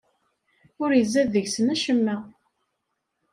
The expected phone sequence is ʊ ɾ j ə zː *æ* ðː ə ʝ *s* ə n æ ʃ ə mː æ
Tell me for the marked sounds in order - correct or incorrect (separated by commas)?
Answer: correct, correct